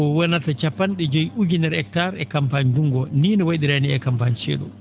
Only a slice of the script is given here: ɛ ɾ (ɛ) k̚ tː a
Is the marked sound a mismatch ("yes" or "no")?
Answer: no